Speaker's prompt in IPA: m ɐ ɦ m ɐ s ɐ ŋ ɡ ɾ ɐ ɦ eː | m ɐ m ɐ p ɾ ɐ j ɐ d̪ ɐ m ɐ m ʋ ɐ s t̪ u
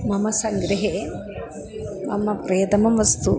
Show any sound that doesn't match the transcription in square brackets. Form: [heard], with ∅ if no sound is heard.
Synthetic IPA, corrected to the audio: m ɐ [∅] m ɐ s ɐ ŋ ɡ ɾ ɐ ɦ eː | m ɐ m ɐ p ɾ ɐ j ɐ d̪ ɐ m ɐ m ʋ ɐ s t̪ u

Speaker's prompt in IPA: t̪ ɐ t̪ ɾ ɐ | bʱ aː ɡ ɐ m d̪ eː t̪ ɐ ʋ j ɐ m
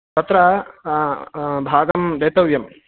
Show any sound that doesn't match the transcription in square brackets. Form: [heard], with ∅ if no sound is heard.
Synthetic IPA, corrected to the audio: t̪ ɐ t̪ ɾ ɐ | bʱ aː ɡ ɐ m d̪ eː t̪ ɐ ʋ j ɐ m

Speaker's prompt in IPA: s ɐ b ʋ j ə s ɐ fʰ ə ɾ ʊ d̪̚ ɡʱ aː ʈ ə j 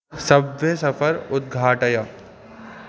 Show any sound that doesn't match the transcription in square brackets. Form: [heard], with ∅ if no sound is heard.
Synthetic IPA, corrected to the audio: s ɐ b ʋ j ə s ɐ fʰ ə ɾ ʊ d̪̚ ɡʱ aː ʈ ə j

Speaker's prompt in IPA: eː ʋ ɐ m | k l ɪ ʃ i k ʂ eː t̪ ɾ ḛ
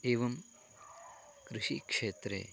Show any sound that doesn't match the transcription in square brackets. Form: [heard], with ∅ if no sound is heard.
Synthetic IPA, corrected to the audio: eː ʋ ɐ m | k [ɾ] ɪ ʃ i k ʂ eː t̪ ɾ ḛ

